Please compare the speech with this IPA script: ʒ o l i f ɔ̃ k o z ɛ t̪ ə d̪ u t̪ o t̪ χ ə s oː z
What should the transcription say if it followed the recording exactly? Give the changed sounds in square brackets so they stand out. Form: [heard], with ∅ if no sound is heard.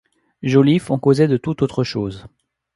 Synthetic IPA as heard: ʒ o l i f ɔ̃ k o z ɛ [d̪] ə [t̪] u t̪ o t̪ χ ə [ʃ] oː z